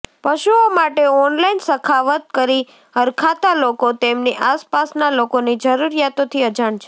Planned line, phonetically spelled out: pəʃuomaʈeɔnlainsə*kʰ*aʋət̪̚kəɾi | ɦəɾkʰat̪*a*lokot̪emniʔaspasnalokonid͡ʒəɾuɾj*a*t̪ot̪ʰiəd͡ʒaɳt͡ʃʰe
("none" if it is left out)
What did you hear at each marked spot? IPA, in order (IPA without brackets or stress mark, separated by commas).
kʰ, a, a